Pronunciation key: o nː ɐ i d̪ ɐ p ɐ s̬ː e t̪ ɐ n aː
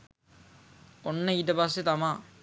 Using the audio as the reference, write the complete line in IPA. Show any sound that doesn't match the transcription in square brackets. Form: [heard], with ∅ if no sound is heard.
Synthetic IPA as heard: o nː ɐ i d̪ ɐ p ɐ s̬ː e t̪ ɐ [m] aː